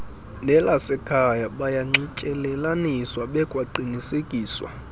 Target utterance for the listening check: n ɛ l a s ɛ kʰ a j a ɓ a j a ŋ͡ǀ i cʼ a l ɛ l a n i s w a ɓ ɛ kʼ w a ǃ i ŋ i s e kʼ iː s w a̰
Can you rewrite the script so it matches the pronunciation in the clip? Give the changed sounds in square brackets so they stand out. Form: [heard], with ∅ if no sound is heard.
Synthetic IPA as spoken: n ɛ l a s ɛ kʰ a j a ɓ a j a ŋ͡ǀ i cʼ [ɛ] l ɛ l a n i s w a ɓ ɛ kʼ w a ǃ i [n] i s e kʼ iː s w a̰